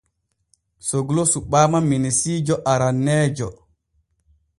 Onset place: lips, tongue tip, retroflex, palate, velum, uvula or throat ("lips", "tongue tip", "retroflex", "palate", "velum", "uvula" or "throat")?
tongue tip